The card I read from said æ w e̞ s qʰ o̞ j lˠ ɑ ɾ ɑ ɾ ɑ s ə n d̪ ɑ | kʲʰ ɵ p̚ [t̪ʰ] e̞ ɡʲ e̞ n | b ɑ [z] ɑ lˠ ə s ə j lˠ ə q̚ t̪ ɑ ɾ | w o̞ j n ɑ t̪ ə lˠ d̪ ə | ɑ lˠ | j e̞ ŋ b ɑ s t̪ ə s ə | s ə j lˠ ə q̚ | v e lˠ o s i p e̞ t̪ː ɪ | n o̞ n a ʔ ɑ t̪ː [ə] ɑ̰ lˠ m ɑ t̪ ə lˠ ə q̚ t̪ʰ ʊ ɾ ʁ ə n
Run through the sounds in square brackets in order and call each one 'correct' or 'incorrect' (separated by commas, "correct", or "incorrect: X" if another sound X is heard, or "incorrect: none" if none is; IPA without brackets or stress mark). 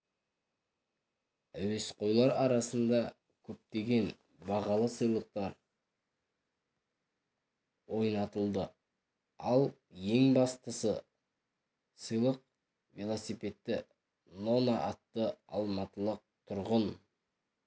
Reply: incorrect: t̪, incorrect: ʁ, correct